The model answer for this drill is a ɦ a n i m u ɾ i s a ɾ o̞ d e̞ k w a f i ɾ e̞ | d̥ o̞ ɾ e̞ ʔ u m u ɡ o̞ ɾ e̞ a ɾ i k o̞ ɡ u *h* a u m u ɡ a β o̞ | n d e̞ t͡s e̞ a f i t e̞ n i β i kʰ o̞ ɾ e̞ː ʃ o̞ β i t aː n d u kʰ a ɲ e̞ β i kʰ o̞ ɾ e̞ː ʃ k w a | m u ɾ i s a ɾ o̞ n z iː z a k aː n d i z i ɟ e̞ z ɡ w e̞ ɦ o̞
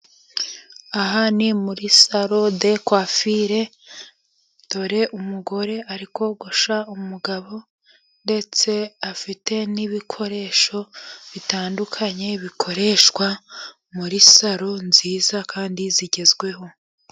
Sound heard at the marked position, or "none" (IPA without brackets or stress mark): ʃ